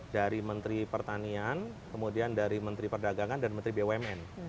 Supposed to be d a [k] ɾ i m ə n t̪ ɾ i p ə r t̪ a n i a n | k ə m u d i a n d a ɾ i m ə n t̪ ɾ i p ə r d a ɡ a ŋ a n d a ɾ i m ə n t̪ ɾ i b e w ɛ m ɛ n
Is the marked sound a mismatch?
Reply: yes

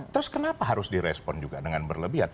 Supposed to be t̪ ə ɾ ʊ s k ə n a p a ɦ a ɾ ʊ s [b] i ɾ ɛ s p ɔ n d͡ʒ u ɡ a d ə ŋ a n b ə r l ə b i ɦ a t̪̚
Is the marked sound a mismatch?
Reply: yes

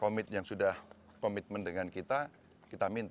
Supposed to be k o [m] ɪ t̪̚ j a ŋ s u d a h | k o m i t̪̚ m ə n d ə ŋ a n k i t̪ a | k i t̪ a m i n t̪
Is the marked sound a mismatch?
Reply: no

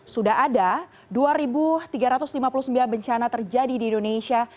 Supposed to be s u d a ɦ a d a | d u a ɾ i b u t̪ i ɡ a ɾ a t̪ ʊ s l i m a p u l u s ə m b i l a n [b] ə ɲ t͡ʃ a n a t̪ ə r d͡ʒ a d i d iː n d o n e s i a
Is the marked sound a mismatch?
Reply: no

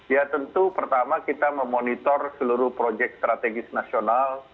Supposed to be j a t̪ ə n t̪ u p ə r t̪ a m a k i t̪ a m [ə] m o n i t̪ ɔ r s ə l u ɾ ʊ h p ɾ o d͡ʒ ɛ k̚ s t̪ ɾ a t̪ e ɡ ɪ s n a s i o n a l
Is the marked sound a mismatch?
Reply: no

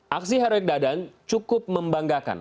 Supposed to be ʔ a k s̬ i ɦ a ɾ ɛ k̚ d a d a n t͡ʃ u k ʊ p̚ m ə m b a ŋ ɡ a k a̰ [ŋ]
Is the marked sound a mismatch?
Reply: yes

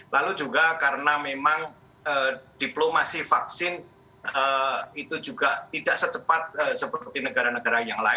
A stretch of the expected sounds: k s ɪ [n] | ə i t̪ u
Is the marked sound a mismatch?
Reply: no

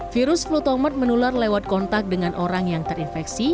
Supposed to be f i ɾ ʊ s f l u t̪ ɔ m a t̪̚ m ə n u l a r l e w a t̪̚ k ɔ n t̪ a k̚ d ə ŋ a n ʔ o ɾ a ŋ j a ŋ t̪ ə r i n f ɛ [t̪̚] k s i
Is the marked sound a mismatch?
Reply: yes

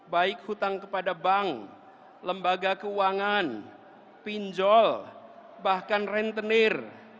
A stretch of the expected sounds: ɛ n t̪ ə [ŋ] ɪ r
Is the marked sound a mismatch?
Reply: yes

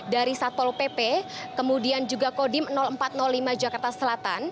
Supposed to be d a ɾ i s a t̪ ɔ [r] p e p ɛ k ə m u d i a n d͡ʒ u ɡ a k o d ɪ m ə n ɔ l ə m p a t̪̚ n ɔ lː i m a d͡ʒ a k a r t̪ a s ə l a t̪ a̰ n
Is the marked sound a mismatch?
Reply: yes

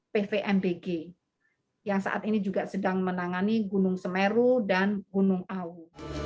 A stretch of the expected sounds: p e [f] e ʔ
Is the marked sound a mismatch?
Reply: no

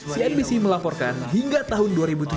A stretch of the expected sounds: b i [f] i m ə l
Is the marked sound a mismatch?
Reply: yes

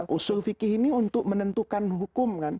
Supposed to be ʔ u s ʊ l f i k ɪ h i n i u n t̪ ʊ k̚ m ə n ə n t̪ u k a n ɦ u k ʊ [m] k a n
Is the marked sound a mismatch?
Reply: no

